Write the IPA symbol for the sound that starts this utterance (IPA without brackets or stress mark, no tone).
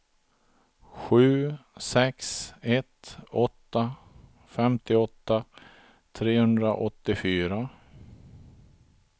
ɧ